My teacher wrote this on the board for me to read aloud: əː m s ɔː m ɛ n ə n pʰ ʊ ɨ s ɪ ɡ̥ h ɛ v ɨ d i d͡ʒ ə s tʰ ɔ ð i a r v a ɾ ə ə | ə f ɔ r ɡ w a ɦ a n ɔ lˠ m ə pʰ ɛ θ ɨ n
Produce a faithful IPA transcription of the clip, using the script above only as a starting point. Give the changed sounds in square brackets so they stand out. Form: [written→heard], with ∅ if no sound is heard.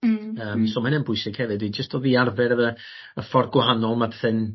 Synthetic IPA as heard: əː m s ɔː m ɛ n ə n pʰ ʊ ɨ s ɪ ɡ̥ h ɛ v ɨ d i d͡ʒ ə s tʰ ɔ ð i a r v [a→ɛ] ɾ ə ə | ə f ɔ r ɡ w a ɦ a n ɔ lˠ m [ə→a] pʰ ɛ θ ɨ n

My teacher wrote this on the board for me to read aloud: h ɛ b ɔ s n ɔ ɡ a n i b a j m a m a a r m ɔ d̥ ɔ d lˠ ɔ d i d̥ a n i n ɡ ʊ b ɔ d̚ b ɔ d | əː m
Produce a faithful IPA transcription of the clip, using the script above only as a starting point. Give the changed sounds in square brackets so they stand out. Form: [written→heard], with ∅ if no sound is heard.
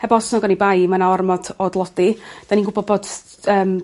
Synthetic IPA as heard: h ɛ b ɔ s n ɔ ɡ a n i b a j m a [m→n] a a r m ɔ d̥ ɔ d lˠ ɔ d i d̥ a n i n ɡ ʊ b ɔ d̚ b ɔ d | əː m

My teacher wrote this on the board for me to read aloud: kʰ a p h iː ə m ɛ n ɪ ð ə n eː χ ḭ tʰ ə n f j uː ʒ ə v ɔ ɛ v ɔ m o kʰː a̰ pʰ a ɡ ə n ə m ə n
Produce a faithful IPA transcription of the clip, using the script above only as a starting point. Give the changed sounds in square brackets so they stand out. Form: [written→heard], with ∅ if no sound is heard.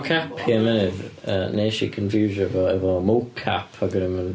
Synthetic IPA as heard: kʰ a p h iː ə m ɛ n ɪ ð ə n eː [χ→ʃ] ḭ [tʰ→kʰ] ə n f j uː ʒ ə v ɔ ɛ v ɔ m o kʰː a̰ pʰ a ɡ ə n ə m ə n

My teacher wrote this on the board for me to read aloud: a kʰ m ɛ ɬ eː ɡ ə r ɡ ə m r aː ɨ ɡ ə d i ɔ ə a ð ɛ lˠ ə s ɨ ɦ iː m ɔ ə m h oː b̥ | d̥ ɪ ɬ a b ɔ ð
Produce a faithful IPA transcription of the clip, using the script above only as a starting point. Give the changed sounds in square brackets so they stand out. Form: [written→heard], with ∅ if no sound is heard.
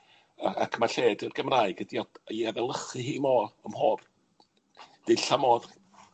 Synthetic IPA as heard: a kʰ m [ɛ→a] ɬ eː [ɡ→d] ə r ɡ ə m r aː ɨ ɡ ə d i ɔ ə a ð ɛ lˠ ə [s→χ] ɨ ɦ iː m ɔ ə m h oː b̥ | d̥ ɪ ɬ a [b→m] ɔ ð

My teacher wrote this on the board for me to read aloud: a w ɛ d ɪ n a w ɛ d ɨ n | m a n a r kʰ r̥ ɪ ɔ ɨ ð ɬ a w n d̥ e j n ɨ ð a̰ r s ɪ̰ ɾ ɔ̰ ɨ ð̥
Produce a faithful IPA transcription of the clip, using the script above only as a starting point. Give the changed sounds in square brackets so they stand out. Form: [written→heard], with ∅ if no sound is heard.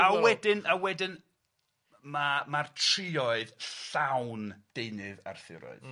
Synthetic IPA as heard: a w ɛ d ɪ n a w ɛ d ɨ n | m a [n→m] a r [kʰ→tʰ] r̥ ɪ ɔ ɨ ð ɬ a w n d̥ e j n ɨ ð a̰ r [s→θ] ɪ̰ ɾ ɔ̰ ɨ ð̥

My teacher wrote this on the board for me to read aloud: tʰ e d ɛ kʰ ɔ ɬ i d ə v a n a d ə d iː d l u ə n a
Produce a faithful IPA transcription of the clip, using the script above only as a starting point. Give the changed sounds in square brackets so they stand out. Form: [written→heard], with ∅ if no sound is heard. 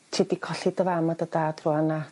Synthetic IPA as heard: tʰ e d [ɛ→i] kʰ ɔ ɬ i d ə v a [n→m] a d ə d [iː→aː] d [l→r] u [ə→a] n a

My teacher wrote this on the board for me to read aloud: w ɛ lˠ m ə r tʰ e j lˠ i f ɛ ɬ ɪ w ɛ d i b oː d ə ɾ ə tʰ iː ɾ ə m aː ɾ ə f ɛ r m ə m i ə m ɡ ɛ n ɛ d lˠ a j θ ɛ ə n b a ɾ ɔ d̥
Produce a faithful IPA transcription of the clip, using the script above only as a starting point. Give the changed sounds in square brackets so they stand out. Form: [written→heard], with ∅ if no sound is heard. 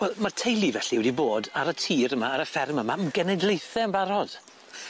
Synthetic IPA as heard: w ɛ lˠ m [ə→a] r tʰ e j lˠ i [f→v] ɛ ɬ [ɪ→i] w ɛ d i b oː d [ə→a] ɾ ə tʰ iː ɾ ə m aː ɾ ə f ɛ r m ə m [i→a] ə m ɡ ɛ n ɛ d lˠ [a→e] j θ ɛ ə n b a ɾ ɔ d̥

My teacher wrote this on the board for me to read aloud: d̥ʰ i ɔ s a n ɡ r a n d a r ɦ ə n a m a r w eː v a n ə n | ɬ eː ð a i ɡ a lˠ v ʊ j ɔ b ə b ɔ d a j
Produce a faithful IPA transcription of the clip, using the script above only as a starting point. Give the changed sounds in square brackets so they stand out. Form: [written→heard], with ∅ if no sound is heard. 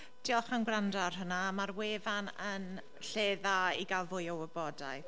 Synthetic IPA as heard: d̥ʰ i ɔ [s→χ] a n ɡ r a n d a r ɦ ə n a m a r w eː v a n ə n | ɬ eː ð a i ɡ a lˠ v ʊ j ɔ [b→w] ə b ɔ d a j

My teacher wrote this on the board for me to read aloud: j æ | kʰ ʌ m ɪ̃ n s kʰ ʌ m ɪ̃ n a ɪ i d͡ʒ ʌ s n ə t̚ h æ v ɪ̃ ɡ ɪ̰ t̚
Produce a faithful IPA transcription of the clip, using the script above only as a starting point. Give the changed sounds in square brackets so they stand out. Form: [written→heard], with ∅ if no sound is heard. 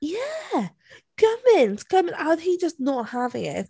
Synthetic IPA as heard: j æ | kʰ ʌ m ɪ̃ n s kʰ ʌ m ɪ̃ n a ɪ i d͡ʒ ʌ s n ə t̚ h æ v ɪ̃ [ɡ→ŋ] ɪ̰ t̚

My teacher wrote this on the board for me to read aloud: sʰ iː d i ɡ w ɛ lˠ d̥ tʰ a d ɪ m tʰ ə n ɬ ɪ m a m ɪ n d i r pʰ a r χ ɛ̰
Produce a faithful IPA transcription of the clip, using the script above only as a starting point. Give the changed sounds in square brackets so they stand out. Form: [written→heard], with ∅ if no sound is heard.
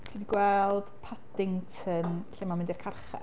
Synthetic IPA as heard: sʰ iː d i ɡ w ɛ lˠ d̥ [tʰ→pʰ] a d ɪ [m→ŋ] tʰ ə n ɬ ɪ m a m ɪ n d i r [pʰ→kʰ] a r χ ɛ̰

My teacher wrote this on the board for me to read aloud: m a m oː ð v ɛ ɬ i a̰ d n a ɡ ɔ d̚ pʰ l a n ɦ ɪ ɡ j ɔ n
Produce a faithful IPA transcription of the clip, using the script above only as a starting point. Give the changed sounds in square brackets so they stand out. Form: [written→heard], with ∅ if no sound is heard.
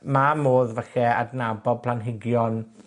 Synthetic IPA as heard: m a m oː ð v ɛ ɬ [i→ɛ] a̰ d n a [ɡ→b] ɔ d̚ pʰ l a n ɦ ɪ ɡ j ɔ n

